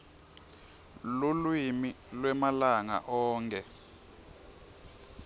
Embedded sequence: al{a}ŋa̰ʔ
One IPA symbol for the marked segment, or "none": a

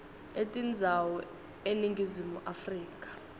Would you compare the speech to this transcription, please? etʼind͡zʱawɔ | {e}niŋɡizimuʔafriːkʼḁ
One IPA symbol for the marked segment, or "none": e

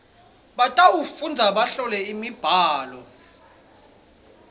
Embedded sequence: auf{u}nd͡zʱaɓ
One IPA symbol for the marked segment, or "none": u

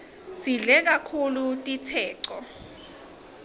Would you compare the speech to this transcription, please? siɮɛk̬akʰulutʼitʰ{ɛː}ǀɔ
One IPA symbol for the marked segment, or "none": ɛː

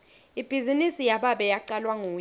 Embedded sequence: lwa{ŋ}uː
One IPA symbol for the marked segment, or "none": ŋ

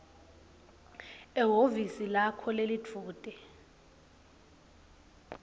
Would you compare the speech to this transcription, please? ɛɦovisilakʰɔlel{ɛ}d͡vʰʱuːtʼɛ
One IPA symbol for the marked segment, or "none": i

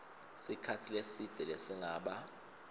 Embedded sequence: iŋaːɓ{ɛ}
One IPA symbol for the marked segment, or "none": a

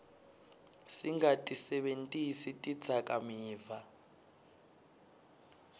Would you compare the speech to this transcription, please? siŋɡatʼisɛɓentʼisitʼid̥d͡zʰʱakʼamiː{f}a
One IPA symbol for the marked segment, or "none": v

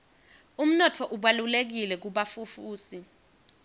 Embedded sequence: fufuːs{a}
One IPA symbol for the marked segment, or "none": i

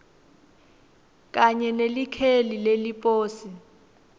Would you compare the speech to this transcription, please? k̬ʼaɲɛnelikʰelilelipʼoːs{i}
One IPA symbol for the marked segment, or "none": i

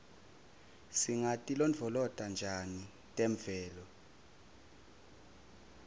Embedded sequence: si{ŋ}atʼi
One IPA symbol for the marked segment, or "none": ŋ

